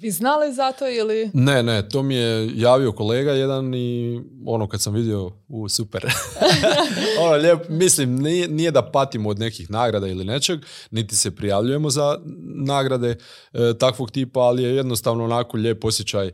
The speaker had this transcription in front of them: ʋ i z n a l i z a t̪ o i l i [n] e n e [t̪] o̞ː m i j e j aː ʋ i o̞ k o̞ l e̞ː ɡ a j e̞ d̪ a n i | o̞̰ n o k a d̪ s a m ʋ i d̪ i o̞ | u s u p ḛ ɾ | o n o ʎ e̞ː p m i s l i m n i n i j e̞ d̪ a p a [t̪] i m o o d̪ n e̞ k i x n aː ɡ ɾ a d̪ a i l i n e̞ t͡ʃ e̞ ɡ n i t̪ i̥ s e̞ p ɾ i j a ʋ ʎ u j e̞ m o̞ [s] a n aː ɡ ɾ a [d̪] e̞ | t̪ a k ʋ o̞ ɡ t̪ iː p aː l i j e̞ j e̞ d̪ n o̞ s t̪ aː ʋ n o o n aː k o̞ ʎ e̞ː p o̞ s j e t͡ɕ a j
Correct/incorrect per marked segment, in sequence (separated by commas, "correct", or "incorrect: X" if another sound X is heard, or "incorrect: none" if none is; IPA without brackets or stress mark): correct, correct, correct, incorrect: z, correct